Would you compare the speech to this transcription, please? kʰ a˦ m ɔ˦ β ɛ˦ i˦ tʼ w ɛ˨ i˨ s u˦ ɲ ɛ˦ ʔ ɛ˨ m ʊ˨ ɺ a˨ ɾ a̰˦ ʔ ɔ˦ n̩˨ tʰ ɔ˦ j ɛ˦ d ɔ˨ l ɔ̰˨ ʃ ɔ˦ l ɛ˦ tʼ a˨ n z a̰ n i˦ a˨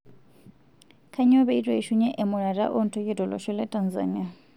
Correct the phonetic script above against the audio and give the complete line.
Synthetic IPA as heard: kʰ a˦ ɲ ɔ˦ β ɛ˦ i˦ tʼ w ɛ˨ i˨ ʃ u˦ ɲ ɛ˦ ʔ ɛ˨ m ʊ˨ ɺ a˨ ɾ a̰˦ ʔ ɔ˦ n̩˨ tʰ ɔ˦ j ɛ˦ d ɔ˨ l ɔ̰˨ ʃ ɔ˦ l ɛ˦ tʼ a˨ n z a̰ n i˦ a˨